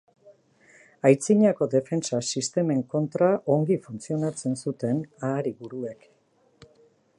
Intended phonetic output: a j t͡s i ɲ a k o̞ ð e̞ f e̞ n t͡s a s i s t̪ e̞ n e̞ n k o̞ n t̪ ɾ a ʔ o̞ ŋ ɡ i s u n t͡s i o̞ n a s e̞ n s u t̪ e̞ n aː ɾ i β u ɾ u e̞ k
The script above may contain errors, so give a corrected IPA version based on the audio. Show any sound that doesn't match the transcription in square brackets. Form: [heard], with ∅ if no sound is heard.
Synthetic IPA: a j t͡s i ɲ a k o̞ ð e̞ f e̞ n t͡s a s i s t̪ e̞ [m] e̞ [ŋ] k o̞ n t̪ ɾ a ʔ o̞ ŋ ɡ i [f] u n t͡s i o̞ n a [t͡s] e̞ n s u t̪ e̞ n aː ɾ i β u ɾ u e̞ k